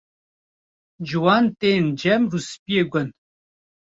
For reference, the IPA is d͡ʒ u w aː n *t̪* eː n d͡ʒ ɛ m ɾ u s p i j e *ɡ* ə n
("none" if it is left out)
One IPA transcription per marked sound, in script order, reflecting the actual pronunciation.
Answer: t̪, ɡ

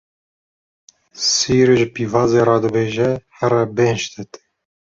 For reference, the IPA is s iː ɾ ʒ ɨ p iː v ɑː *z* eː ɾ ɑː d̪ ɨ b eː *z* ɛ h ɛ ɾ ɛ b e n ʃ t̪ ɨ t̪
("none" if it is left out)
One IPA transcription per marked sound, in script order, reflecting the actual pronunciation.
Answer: z, ʒ

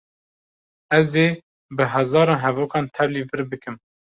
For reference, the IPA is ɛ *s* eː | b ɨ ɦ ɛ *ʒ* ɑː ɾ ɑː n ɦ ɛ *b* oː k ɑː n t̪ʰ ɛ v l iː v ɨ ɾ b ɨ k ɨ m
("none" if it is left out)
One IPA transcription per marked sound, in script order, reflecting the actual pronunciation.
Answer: z, z, v

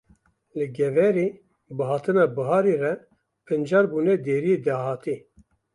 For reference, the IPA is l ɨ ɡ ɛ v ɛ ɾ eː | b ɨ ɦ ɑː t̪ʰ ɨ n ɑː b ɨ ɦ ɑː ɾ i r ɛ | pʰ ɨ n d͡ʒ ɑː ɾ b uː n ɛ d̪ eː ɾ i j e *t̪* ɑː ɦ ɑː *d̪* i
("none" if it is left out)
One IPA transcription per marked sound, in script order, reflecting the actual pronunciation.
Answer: d̪, t̪

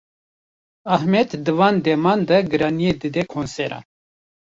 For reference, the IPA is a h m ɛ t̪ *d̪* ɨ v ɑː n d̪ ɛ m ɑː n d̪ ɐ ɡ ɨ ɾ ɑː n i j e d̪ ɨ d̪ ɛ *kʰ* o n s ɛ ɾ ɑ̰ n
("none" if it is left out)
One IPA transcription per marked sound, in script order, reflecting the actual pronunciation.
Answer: d̪, kʰ

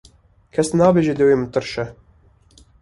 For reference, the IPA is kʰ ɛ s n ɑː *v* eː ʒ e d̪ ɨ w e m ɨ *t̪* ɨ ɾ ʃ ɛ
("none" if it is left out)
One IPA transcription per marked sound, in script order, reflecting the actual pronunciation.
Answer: b, t̪

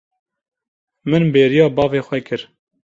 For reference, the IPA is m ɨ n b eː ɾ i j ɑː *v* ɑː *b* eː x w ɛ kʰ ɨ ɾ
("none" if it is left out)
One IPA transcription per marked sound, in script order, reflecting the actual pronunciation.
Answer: b, v

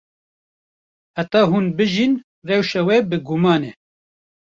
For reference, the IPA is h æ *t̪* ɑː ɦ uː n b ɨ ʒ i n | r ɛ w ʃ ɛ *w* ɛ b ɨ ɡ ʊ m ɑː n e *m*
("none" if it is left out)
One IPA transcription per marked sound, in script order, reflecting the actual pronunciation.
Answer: t̪, w, none

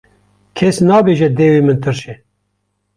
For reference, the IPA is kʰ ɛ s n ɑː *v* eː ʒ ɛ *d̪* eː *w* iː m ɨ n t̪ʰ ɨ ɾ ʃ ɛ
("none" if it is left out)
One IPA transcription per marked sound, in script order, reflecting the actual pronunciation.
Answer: b, d̪, w

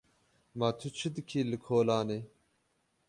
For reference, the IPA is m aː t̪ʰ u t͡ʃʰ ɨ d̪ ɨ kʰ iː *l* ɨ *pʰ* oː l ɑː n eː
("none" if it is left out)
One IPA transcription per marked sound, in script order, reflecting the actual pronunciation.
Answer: l, kʰ

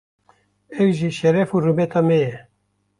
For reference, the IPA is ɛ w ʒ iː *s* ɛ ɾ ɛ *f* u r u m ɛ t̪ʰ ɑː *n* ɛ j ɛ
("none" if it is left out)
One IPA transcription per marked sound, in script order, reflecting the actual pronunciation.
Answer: ʃ, f, m

